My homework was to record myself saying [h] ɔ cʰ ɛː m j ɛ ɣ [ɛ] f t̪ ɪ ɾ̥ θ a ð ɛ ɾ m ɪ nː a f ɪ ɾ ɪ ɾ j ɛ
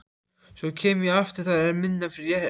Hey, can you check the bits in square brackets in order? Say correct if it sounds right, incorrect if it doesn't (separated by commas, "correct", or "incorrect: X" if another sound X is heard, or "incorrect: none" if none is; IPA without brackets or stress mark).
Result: incorrect: s, incorrect: a